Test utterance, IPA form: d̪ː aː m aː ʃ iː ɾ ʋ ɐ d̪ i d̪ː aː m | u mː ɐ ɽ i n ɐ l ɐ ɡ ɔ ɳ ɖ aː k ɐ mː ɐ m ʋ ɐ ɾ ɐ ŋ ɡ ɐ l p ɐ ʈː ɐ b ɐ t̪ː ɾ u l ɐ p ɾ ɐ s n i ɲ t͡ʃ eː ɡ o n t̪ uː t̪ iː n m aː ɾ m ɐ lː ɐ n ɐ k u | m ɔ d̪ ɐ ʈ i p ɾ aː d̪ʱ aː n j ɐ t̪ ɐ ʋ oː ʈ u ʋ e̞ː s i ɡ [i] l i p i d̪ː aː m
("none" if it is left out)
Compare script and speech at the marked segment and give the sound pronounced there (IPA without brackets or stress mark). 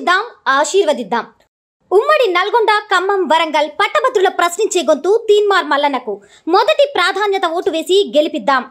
e